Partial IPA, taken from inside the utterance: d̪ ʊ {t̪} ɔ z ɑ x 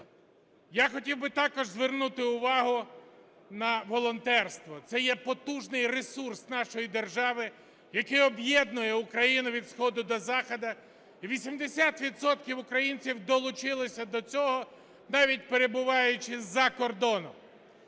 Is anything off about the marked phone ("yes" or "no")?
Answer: yes